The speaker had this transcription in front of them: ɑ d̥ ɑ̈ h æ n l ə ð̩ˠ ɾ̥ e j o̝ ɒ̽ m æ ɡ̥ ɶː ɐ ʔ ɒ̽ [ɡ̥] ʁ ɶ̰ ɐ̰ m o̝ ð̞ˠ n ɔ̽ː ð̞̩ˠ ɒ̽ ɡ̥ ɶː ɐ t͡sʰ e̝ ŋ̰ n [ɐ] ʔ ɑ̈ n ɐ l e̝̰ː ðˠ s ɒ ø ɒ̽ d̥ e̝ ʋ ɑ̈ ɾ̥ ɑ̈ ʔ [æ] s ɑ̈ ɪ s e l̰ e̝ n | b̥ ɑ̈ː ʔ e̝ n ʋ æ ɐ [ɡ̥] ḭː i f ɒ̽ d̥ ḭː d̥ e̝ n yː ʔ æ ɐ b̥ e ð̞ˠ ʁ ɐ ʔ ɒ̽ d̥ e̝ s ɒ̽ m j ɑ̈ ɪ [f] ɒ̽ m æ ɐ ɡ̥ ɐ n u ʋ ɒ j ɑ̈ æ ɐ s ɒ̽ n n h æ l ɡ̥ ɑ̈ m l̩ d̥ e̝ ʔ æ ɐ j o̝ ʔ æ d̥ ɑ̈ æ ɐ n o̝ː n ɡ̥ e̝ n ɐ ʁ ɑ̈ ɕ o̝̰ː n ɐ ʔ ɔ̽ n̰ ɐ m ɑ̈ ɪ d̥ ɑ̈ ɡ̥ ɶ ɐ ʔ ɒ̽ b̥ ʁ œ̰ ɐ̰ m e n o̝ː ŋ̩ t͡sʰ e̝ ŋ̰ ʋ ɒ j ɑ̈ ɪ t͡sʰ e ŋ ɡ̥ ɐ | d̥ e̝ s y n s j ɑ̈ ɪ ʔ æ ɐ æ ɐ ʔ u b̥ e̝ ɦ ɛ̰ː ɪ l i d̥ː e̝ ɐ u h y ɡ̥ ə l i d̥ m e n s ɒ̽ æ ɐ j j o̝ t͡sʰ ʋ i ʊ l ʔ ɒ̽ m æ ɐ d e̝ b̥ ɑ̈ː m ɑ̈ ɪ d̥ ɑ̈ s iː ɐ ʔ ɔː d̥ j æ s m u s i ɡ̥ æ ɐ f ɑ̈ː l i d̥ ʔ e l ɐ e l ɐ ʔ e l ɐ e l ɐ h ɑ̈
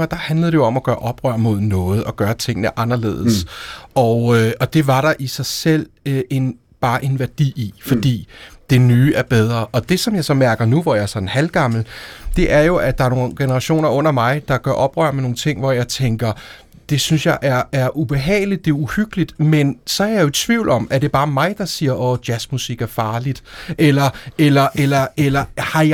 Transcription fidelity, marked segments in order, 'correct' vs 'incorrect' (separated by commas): incorrect, incorrect, incorrect, incorrect, incorrect